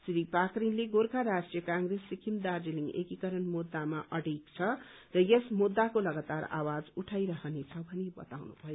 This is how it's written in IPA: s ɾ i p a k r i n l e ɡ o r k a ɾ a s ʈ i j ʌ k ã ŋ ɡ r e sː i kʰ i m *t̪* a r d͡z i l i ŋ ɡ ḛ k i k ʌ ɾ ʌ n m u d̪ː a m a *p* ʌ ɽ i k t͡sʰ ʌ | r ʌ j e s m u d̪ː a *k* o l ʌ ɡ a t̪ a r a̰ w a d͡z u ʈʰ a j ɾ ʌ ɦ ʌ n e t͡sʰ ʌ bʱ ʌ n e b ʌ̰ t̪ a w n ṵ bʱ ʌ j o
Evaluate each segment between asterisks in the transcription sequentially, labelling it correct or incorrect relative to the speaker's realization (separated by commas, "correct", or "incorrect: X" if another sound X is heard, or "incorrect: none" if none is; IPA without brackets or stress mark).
incorrect: d̪, incorrect: ʔ, correct